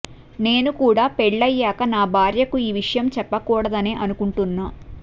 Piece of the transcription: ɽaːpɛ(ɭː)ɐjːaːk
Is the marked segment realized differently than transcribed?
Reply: no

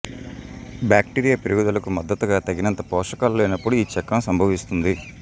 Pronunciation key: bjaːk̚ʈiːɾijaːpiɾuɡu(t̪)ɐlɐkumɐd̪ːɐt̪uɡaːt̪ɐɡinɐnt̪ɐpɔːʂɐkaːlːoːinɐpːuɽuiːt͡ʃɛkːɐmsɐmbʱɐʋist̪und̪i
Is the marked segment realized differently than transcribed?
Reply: yes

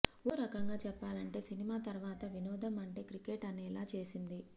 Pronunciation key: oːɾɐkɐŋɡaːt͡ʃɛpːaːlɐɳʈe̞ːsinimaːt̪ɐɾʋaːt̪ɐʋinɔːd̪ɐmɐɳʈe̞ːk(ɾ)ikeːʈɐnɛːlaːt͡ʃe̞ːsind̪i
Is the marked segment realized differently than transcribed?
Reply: no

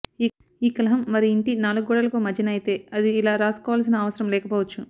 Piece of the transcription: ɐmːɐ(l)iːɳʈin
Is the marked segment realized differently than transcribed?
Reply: yes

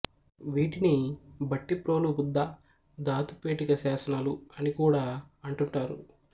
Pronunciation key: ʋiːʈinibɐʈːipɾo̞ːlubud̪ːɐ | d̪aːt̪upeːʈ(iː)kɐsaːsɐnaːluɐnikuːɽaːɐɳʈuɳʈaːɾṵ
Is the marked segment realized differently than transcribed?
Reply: yes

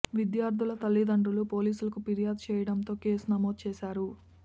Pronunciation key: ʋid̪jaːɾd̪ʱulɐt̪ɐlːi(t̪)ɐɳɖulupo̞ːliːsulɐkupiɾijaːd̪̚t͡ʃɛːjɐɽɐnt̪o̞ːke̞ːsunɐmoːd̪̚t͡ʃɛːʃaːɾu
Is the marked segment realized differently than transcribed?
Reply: yes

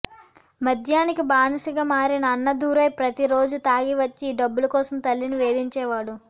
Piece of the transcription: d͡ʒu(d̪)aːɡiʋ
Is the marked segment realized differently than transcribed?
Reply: yes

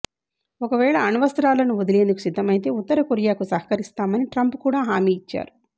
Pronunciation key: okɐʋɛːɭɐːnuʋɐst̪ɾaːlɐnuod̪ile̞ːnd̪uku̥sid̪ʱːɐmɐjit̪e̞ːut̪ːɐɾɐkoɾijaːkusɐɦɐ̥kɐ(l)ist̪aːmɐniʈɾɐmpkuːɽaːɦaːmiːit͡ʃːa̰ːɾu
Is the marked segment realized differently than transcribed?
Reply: yes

